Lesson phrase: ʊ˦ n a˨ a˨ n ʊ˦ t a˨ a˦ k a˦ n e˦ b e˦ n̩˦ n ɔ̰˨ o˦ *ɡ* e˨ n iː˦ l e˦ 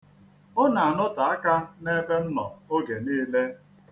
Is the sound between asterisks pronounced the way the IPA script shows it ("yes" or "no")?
yes